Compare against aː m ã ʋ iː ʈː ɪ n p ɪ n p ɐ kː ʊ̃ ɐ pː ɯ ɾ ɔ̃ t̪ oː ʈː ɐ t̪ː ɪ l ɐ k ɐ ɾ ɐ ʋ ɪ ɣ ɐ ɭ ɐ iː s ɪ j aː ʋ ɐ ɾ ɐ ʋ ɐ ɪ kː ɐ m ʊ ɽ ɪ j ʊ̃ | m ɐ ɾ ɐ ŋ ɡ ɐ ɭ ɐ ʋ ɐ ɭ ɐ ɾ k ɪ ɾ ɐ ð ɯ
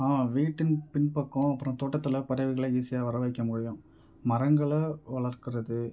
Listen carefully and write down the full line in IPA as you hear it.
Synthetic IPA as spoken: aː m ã ʋ iː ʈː ɪ n p ɪ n p ɐ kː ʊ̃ ɐ pː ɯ ɾ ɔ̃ t̪ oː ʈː ɐ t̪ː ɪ l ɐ p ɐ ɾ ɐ ʋ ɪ ɣ ɐ ɭ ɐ iː s ɪ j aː ʋ ɐ ɾ ɐ ʋ ɐ ɪ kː ɐ m ʊ ɽ ɪ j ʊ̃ | m ɐ ɾ ɐ ŋ ɡ ɐ ɭ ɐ ʋ ɐ ɭ ɐ ɾ k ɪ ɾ ɐ ð ɯ